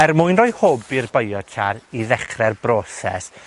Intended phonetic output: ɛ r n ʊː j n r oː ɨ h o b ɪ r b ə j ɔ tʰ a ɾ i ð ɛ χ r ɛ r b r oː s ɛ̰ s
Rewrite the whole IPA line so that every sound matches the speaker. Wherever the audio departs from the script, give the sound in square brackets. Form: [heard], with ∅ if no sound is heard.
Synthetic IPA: ɛ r [m] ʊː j n r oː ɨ h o b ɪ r b ə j ɔ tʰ a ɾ i ð ɛ χ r ɛ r b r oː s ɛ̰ s